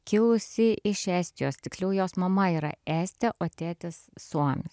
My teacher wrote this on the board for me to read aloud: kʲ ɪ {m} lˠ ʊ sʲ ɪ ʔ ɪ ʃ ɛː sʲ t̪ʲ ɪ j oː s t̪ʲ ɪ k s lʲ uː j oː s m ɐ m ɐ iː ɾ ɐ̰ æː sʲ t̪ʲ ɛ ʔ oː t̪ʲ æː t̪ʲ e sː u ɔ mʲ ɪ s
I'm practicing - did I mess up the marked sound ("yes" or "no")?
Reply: yes